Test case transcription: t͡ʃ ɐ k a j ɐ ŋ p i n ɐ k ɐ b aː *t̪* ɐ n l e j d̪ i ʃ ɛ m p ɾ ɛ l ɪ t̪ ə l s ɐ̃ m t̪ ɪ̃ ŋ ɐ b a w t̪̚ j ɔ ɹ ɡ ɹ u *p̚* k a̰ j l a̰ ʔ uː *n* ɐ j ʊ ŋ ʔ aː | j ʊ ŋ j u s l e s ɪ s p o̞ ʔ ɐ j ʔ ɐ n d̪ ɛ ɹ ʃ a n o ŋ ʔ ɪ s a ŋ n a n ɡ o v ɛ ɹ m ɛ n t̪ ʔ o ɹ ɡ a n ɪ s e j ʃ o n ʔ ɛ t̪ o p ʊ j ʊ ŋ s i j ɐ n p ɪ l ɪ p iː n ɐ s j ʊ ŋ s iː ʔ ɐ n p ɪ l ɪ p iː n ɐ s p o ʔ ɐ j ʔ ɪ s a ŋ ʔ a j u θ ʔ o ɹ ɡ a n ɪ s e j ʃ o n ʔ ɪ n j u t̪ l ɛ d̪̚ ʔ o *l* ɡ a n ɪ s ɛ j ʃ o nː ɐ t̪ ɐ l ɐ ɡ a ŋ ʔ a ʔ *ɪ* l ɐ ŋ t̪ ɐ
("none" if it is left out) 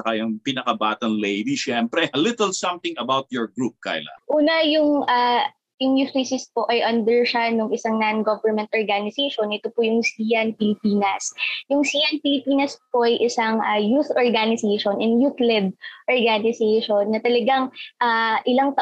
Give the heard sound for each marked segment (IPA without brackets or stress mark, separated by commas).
t̪, p̚, n, ɹ, ɪ